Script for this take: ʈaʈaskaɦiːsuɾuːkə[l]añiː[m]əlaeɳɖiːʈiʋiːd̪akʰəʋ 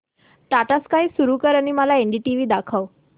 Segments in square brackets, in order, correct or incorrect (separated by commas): incorrect, correct